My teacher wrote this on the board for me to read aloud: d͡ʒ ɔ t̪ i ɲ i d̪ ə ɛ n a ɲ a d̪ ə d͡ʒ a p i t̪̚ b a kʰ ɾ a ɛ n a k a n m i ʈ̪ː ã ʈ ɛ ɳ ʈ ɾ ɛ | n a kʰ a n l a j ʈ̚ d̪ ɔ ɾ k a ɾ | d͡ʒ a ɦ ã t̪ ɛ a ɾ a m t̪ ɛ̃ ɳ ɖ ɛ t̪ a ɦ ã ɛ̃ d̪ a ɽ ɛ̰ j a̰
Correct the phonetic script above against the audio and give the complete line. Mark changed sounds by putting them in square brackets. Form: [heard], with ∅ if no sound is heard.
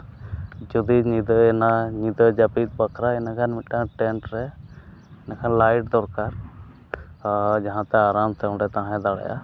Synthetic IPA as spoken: d͡ʒ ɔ [d̪] i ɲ i d̪ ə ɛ n a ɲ [i] d̪ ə d͡ʒ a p i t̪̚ b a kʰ ɾ a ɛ n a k a n m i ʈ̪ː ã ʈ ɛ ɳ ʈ ɾ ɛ | n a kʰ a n l a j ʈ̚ d̪ ɔ ɾ k a ɾ | d͡ʒ a ɦ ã t̪ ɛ a ɾ a m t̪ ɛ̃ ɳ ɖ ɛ t̪ a ɦ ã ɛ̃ d̪ a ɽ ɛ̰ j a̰